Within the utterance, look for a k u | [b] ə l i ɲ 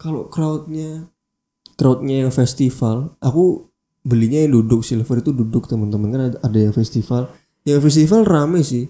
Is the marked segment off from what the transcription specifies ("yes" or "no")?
no